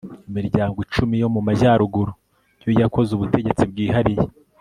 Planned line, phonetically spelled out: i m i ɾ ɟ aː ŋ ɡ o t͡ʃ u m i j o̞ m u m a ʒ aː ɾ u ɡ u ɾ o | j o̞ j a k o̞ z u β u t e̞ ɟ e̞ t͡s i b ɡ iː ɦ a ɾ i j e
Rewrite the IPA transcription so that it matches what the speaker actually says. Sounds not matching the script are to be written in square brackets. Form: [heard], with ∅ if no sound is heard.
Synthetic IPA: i m i ɾ ɟ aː ŋ ɡ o t͡ʃ u m i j o̞ m u m a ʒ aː ɾ u ɡ u ɾ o | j o̞ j a k o̞ z u β u t e̞ ɟ e̞ t͡s i b ɡ iː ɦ a ɾ i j e